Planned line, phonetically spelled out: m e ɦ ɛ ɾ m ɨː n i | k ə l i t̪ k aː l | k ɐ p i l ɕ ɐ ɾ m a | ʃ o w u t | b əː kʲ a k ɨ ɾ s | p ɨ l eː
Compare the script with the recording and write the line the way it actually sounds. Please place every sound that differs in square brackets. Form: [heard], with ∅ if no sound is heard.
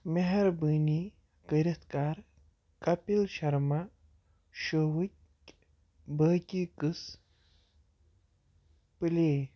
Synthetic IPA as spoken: m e ɦ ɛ ɾ [b] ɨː n i | k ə [ɾ] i t̪ k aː [ɾ] | k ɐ p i l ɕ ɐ ɾ m a | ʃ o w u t | b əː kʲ [i] k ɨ [∅] s | p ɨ l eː